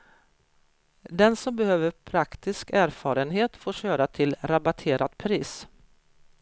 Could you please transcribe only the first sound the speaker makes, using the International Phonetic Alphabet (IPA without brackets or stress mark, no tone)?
d̪